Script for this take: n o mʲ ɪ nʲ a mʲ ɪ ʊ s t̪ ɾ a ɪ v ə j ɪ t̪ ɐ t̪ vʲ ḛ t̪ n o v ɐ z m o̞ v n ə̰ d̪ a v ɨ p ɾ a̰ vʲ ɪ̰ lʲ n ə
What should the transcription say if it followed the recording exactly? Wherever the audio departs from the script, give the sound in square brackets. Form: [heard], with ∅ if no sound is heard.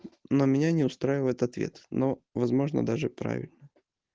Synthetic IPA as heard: n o mʲ ɪ nʲ a [nʲ] ɪ ʊ s t̪ ɾ a ɪ v ə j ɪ t̪ ɐ t̪ vʲ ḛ t̪ n o v ɐ z m o̞ [ʐ] n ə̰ d̪ a [ʐ] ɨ p ɾ a̰ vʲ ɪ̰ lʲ n ə